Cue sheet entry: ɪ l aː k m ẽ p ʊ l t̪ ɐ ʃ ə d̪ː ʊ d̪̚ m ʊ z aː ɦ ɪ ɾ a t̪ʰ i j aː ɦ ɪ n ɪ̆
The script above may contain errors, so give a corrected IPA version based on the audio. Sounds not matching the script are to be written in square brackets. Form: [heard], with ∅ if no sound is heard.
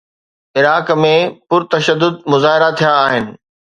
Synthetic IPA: ɪ [ɾ] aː k m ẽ p ʊ [ɾ] t̪ ɐ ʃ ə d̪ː ʊ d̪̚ m ʊ z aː ɦ ɪ ɾ a t̪ʰ i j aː ɦ ɪ n ɪ̆